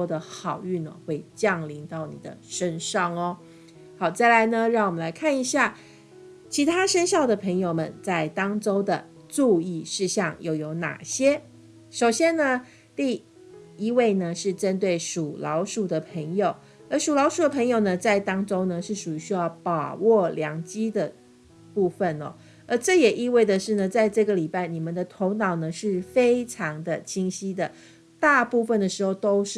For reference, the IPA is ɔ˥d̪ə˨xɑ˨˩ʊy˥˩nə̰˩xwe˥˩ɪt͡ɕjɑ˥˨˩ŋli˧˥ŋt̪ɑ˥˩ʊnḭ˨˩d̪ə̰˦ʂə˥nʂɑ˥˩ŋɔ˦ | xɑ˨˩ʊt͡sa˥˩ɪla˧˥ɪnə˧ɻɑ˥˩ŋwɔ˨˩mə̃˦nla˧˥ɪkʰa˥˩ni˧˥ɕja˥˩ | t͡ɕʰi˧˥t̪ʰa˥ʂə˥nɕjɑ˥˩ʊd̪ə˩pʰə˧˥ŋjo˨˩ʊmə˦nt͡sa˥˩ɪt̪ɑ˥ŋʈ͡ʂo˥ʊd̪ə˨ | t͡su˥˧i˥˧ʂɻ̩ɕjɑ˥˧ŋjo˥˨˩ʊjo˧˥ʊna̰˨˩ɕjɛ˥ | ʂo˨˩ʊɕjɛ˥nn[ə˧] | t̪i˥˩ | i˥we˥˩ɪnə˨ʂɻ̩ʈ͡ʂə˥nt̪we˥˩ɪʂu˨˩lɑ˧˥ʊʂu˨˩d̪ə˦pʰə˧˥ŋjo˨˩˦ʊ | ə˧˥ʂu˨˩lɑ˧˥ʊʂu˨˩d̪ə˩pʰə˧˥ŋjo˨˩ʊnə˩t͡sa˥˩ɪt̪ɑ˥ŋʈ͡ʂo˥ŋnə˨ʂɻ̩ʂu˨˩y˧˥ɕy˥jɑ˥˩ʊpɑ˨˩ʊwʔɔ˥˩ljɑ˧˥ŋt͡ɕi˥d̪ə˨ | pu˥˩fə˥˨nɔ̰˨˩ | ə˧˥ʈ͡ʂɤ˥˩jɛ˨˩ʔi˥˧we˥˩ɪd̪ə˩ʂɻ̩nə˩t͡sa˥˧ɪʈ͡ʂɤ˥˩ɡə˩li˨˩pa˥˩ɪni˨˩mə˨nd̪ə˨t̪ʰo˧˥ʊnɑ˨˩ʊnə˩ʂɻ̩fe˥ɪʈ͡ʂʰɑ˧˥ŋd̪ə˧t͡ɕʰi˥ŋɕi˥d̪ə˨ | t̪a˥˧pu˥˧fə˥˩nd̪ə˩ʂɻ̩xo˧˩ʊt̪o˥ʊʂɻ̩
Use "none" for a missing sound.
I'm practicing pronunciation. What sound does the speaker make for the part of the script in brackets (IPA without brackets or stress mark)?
ə˧